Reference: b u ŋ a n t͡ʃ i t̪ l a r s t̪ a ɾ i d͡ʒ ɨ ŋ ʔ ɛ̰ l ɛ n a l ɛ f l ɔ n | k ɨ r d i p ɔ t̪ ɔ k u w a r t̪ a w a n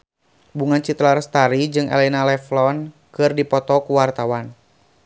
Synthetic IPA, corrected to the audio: b u ŋ a n t͡ʃ i t̪ l a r s t̪ a ɾ i d͡ʒ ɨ ŋ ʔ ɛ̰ l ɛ n a l ɛ f l ɔ n | k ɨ r d i p ɔ t̪ ɔ k u w a r t̪ a w a n